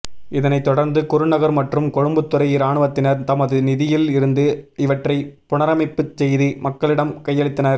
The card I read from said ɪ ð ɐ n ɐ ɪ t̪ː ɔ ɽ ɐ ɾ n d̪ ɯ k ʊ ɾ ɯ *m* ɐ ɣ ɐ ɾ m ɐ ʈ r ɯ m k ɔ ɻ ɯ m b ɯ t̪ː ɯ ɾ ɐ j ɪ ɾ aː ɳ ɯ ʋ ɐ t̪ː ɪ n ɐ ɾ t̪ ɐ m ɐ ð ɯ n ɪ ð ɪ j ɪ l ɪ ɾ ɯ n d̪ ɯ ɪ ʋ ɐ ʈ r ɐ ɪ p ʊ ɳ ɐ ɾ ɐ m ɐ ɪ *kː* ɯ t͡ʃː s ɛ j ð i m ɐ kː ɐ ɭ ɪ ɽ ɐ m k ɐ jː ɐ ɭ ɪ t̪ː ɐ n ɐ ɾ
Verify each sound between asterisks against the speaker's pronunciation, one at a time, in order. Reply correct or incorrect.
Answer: incorrect, incorrect

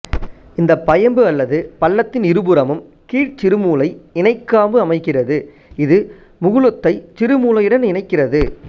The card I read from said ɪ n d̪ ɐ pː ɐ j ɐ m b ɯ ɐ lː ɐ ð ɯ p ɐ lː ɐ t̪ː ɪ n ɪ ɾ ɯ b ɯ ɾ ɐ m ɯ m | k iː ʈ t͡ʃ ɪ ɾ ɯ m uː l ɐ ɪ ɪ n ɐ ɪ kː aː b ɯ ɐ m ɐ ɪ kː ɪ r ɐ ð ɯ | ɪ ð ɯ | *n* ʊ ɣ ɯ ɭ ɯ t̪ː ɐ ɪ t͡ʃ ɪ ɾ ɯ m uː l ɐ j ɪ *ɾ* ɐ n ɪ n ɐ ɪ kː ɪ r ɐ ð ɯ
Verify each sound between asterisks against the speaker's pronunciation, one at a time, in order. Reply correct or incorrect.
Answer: incorrect, incorrect

